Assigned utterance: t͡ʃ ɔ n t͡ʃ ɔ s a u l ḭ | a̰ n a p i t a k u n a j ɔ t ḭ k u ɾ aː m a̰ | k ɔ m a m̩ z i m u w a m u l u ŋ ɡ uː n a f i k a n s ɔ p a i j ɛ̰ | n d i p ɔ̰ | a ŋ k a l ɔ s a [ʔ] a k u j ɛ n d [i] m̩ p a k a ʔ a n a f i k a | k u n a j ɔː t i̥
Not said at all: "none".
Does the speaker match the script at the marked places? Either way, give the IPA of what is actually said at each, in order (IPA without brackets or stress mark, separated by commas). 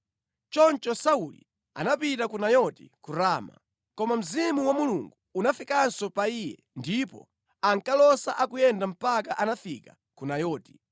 ʔ, a